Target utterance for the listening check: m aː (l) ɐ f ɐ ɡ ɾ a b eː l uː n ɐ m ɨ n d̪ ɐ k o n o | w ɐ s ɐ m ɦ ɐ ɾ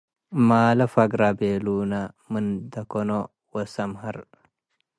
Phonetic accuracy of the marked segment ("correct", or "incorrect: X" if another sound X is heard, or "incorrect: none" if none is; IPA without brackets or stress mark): correct